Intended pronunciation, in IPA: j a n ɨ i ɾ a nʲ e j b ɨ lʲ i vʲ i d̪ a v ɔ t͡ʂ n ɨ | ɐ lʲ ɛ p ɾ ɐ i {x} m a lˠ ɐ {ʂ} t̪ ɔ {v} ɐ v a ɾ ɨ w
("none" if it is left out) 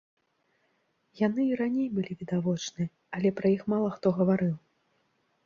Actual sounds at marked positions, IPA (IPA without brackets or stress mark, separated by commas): x, x, ɣ